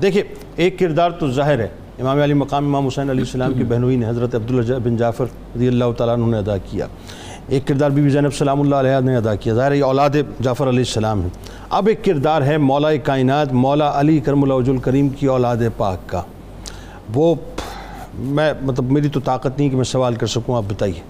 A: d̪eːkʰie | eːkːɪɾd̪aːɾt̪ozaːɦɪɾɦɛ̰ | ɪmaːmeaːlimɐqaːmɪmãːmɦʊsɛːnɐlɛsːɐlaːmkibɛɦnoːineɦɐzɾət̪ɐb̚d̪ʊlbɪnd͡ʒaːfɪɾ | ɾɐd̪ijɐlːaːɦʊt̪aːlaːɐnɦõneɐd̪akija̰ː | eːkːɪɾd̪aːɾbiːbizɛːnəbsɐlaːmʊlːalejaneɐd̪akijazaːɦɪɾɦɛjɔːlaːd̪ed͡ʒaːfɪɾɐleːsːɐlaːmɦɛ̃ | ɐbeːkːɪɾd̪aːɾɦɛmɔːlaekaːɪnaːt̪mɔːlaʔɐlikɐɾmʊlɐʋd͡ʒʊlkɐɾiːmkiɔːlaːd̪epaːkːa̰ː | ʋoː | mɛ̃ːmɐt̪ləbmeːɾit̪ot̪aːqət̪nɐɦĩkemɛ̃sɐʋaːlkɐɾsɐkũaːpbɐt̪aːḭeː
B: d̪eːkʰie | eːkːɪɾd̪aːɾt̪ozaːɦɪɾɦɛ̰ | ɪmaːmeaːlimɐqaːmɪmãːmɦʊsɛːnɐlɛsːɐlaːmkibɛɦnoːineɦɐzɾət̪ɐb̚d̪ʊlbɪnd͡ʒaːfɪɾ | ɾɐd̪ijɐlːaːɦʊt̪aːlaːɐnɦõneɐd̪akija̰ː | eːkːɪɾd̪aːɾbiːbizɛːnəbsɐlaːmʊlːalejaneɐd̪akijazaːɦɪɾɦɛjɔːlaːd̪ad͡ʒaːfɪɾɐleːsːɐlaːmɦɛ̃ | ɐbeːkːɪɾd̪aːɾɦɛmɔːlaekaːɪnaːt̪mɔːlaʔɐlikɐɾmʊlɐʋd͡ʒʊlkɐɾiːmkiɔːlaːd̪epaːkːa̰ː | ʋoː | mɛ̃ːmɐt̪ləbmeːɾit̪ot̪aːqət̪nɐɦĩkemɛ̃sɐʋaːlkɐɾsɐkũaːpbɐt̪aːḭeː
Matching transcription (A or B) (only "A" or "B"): A